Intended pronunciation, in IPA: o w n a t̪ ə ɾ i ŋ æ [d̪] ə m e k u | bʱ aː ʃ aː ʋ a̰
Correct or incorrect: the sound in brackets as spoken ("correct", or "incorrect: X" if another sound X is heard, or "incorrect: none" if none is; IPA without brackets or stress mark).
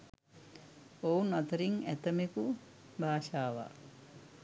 incorrect: t̪